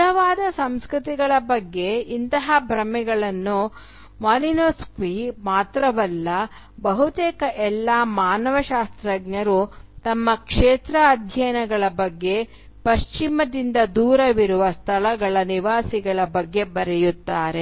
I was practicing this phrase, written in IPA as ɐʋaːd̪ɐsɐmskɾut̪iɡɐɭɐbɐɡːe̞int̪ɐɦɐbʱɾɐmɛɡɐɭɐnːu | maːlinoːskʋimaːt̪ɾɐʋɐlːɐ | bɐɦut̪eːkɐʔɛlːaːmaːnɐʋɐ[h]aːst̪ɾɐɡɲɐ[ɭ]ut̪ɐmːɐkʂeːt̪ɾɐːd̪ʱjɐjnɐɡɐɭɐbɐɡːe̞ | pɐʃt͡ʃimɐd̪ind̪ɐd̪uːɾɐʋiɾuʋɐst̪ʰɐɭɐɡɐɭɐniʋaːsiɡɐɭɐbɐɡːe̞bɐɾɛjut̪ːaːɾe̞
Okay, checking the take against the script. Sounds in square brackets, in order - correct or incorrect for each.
incorrect: ʃ, incorrect: ɾ

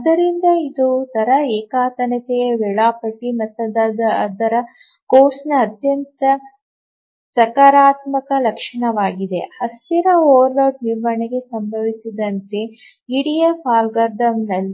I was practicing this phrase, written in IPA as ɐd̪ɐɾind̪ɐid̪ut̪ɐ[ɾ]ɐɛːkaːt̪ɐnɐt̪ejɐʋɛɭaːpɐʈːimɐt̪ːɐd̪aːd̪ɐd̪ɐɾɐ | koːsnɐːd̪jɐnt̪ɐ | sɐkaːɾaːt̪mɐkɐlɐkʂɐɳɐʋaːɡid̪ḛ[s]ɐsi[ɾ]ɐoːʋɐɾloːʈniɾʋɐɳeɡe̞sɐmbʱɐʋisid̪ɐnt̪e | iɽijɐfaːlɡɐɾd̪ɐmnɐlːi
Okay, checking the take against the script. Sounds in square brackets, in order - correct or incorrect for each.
correct, incorrect: h, correct

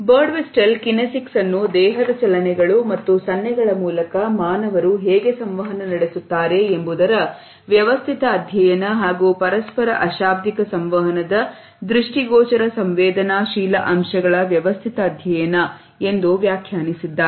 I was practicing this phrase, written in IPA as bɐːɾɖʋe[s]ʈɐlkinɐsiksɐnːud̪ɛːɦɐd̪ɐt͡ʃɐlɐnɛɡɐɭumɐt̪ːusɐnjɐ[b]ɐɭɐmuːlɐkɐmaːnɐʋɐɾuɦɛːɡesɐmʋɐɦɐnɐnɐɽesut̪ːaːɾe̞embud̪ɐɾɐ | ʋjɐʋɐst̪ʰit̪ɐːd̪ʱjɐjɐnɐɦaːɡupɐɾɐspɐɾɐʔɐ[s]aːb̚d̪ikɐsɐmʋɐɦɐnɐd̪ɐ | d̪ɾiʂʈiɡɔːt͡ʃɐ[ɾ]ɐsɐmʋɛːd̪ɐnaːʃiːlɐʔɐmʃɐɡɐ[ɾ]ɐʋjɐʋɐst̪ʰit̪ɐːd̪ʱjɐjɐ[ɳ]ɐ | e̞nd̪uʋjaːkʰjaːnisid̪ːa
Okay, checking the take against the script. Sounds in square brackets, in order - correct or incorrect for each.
correct, incorrect: ɡ, incorrect: ʃ, correct, incorrect: ɭ, incorrect: n

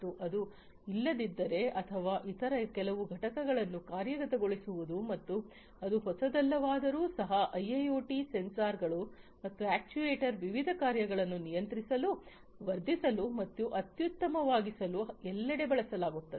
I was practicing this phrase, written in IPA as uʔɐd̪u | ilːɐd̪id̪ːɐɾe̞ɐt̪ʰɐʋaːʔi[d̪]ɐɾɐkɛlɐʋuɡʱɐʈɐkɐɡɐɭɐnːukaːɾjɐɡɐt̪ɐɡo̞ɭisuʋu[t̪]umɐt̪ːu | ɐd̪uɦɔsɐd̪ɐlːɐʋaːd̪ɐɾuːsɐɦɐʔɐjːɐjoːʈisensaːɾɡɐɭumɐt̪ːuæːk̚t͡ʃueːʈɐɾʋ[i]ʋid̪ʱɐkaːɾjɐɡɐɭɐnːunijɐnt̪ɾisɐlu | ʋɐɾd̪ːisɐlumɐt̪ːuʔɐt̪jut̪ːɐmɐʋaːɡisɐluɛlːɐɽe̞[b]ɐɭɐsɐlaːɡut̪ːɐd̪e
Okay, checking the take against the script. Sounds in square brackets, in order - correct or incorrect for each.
incorrect: t̪, incorrect: d̪, correct, correct

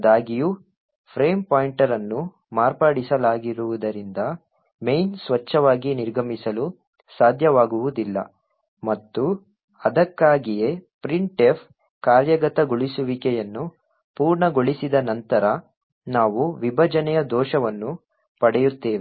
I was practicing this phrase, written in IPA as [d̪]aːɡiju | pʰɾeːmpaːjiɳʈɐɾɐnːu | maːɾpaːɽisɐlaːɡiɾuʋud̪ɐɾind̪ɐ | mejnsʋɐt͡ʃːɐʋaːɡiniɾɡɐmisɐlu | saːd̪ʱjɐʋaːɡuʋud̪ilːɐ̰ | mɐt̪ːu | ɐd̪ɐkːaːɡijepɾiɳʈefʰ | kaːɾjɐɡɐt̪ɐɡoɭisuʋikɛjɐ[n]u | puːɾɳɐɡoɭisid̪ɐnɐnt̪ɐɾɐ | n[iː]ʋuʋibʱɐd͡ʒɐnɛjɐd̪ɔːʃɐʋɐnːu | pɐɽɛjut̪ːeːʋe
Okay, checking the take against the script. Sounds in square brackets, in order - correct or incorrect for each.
correct, incorrect: nː, incorrect: aː

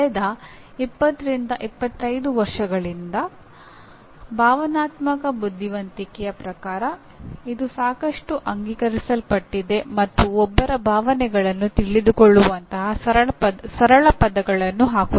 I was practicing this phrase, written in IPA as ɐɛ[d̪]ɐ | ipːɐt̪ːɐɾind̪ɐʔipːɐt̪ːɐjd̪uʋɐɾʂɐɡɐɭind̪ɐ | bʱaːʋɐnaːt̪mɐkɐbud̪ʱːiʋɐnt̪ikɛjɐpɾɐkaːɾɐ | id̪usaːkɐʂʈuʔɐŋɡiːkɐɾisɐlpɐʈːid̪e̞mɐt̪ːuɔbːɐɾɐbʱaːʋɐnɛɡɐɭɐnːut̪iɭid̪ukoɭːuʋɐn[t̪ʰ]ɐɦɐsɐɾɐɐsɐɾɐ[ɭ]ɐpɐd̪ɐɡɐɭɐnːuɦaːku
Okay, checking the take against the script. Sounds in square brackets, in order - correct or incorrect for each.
correct, incorrect: t̪, correct

